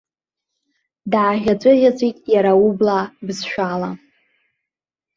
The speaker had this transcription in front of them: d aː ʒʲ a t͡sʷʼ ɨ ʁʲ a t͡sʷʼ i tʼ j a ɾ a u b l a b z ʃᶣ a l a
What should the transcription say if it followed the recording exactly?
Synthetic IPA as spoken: d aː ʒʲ a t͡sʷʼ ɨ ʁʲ a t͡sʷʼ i tʼ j a ɾ a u b l a b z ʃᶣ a l a